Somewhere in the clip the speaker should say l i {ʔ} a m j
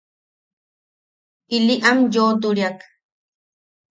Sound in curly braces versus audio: correct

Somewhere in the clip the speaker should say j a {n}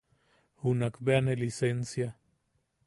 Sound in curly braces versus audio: incorrect: none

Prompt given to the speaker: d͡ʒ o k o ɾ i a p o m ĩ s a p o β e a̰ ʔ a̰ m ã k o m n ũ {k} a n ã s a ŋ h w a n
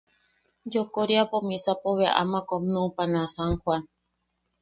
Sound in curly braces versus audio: incorrect: p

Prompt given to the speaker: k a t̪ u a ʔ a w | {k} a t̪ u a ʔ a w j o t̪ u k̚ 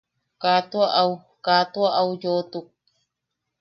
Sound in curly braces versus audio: correct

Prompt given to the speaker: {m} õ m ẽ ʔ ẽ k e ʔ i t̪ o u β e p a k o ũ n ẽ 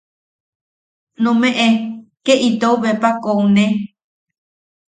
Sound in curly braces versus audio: incorrect: n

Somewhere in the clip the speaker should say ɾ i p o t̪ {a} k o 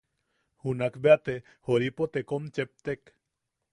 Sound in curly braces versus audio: incorrect: e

